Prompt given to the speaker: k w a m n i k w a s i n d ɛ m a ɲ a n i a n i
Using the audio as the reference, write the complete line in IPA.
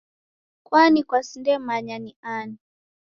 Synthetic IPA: k w a n i k w a s i n d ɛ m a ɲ a n i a n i